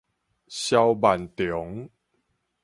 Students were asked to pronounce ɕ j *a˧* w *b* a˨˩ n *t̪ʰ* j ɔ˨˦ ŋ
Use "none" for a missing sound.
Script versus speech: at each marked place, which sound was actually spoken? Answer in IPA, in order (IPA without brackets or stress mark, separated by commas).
a˧, b, t̪